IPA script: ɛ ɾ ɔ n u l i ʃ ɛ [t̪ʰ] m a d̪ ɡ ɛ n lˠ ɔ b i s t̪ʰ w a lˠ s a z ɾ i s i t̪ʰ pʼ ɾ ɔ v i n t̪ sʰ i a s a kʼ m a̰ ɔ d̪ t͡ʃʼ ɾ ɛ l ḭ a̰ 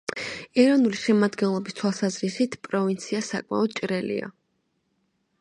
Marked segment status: incorrect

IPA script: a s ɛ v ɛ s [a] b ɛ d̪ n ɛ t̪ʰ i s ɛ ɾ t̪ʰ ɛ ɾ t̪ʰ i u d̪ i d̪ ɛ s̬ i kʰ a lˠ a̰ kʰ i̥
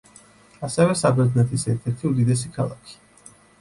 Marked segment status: correct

